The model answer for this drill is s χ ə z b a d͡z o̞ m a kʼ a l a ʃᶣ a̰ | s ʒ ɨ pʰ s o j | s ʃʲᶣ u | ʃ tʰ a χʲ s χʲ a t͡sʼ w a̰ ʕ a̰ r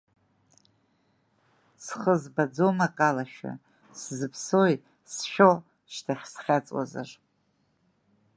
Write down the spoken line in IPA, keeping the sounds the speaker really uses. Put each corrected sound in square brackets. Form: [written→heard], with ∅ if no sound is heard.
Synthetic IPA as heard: s χ ə z b a d͡z o̞ m a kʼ a l a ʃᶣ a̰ | s [ʒ→z] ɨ pʰ s o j | s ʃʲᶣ [u→o] | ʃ tʰ a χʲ s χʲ a t͡sʼ w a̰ [ʕ→z] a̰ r